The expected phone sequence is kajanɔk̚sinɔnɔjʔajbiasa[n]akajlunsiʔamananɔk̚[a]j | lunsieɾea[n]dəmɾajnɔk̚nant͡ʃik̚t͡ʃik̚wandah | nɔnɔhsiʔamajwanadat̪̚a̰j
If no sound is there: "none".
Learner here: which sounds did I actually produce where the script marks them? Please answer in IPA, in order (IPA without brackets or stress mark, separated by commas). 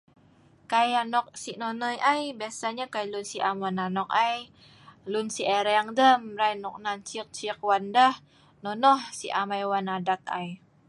ɲ, a, ŋ